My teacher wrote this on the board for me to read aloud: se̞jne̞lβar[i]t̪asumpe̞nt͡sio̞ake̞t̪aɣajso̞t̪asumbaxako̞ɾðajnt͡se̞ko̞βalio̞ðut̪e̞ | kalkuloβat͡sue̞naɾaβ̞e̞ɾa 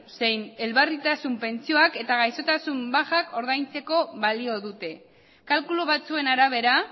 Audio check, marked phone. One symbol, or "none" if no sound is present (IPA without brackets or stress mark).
i